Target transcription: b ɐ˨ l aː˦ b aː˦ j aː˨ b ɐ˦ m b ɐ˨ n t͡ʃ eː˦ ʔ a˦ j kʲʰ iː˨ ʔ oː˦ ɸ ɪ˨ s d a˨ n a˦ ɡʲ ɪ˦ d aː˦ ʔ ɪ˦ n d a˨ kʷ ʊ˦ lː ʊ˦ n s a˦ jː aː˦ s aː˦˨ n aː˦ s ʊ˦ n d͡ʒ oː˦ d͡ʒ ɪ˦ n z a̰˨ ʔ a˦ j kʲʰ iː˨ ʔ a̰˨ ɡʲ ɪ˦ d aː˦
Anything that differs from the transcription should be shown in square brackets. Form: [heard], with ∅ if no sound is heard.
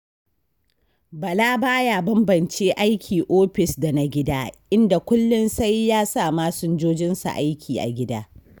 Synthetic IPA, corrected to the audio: b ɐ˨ l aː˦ b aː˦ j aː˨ b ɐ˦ m b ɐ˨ n t͡ʃ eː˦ ʔ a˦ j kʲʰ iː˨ ʔ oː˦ ɸ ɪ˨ s d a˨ n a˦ ɡʲ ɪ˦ d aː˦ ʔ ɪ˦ n d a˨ kʷ ʊ˦ lː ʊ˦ n s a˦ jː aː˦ s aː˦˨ [m] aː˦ s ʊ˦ n d͡ʒ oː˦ d͡ʒ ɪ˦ n [s] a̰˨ ʔ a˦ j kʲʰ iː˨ ʔ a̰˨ ɡʲ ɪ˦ d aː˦

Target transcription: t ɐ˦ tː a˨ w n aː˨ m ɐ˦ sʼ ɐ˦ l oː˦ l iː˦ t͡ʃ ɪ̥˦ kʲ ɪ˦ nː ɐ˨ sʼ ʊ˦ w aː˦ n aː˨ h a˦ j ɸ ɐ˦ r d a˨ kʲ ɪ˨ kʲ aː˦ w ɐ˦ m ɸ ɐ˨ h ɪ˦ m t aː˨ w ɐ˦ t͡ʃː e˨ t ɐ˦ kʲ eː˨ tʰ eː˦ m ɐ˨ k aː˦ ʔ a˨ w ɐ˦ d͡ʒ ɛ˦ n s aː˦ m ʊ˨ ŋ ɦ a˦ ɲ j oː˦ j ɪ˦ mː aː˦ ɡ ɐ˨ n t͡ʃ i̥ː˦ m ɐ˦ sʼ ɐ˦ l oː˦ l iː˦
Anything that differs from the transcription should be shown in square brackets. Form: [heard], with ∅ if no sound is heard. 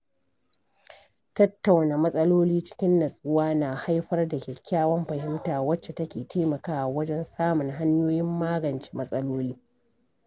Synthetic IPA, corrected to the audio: t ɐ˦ tː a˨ w n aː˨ m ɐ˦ sʼ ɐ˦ l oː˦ l iː˦ t͡ʃ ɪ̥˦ kʲ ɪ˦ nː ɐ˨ sʼ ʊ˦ w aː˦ n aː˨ h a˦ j ɸ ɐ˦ r d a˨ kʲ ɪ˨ kʲ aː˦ w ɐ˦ m ɸ ɐ˨ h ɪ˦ m t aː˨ w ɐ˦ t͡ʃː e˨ t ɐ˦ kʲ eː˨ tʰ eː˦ m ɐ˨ k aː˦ ʔ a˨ w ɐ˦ d͡ʒ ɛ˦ n s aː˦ m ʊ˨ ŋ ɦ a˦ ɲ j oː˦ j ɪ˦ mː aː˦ ɡ ɐ˨ n t͡ʃ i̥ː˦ m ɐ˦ sʼ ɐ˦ l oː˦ l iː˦

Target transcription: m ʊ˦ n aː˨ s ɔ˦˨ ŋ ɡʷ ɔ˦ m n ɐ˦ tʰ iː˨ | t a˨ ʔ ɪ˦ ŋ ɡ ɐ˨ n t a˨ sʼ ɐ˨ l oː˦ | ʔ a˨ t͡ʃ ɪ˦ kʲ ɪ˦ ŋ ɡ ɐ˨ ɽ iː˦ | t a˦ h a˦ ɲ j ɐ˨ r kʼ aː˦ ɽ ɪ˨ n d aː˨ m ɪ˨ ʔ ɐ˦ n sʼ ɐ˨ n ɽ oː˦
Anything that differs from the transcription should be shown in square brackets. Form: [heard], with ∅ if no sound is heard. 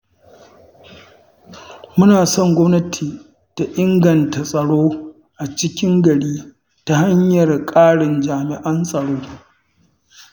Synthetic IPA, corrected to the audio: m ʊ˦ n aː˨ s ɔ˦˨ ŋ ɡʷ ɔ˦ m n ɐ˦ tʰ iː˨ | t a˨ ʔ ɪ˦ ŋ ɡ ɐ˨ n t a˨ sʼ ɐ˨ [ɽ] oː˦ | ʔ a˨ t͡ʃ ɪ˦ kʲ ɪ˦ ŋ ɡ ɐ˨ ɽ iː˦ | t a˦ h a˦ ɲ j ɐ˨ r kʼ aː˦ ɽ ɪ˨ n [d͡ʒ] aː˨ m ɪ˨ ʔ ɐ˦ n sʼ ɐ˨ [∅] ɽ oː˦

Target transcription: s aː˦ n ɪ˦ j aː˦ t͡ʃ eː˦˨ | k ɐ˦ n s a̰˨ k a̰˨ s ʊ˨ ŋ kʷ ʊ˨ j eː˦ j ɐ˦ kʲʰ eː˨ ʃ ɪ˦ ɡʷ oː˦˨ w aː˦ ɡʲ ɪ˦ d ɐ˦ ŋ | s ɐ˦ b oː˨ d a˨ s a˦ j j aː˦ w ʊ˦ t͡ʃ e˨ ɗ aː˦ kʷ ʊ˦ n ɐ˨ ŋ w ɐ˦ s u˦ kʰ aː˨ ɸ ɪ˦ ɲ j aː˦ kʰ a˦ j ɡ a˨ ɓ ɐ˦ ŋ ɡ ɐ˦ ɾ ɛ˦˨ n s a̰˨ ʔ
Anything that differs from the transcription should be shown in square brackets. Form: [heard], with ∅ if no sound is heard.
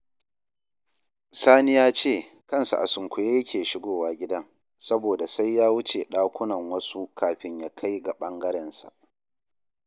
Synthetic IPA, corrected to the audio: s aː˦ n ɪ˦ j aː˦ t͡ʃ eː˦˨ | k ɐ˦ n s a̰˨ [ʔ] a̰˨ s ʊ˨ ŋ kʷ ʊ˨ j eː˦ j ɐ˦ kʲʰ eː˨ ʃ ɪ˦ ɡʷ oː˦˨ w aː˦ ɡʲ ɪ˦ d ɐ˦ ŋ | s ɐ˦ b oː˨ d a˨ s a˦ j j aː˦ w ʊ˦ t͡ʃ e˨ ɗ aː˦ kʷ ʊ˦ n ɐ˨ ŋ w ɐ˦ s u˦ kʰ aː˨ ɸ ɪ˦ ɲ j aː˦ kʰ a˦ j ɡ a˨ ɓ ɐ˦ ŋ ɡ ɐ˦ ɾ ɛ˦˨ n s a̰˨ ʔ

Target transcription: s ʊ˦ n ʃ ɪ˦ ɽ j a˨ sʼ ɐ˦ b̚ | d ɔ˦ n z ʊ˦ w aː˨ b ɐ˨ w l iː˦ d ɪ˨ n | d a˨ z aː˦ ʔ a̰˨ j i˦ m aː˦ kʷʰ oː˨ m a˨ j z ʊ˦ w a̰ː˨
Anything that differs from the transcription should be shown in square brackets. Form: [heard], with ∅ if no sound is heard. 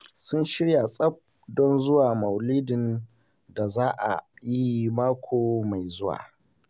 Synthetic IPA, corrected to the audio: s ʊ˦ n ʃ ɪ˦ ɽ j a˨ sʼ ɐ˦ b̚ | d ɔ˦ n z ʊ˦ w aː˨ [m] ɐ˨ w l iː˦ d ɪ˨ n | d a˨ z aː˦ ʔ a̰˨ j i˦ m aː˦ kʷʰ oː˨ m a˨ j z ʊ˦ w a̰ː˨

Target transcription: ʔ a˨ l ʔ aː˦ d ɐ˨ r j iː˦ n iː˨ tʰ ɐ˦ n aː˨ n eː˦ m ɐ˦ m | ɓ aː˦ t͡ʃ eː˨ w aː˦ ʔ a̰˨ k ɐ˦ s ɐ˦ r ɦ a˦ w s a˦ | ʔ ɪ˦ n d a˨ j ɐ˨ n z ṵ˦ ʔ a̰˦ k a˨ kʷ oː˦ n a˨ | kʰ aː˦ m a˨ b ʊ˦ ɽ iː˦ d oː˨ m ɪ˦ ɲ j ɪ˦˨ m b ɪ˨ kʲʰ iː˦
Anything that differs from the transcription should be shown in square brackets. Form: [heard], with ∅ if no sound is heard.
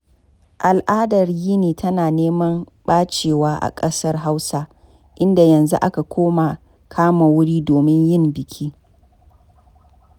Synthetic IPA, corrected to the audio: ʔ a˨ l ʔ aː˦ d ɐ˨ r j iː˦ n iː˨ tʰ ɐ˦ n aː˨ n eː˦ m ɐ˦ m | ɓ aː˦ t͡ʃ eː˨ w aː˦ ʔ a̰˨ [kʼ] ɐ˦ s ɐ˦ r ɦ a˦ w s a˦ | ʔ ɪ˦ n d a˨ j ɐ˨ n z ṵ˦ ʔ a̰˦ k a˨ kʷ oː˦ [m] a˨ | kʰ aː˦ m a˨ [w] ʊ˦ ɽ iː˦ d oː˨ m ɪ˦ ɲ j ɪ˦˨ m b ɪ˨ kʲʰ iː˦

